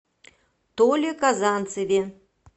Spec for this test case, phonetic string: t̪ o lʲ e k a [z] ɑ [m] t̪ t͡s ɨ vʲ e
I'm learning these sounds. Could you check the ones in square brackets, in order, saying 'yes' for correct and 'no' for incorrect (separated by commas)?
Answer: yes, no